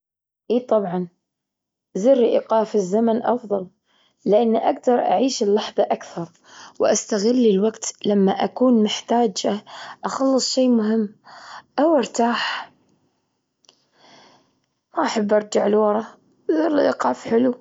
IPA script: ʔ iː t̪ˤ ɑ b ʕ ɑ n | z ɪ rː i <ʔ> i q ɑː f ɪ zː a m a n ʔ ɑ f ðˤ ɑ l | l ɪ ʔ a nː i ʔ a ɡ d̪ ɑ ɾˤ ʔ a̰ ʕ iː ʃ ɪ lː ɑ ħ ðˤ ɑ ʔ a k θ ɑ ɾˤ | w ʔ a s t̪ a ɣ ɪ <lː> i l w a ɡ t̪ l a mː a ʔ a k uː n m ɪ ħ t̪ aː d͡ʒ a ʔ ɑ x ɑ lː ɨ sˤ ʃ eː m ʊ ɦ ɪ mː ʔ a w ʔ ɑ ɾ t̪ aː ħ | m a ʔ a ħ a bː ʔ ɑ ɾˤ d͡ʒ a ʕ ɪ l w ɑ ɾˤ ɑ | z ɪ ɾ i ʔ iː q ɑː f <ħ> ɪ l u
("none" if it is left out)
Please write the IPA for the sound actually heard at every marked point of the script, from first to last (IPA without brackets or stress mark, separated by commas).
ʔ, lː, ħ